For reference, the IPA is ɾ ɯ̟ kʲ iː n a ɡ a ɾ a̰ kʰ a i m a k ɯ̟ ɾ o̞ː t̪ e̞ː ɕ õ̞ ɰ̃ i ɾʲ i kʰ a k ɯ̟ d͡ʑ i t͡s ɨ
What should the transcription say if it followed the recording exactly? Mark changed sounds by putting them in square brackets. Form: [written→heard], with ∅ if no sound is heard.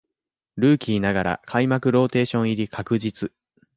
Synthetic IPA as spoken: ɾ [ɯ̟→ɯ̟ː] kʲ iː n a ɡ a ɾ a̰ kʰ a i m a k ɯ̟ ɾ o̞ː t̪ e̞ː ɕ õ̞ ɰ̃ i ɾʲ i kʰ a k ɯ̟ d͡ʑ i t͡s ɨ